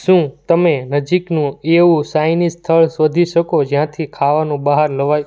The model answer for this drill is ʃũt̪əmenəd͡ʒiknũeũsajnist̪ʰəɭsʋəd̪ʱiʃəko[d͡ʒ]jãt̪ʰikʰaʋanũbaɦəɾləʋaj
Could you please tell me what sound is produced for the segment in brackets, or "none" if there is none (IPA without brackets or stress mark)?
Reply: d͡ʒ